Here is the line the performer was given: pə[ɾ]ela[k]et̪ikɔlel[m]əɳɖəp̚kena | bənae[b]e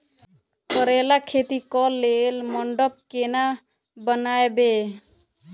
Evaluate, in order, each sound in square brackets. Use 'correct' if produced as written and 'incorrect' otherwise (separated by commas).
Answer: correct, incorrect, correct, correct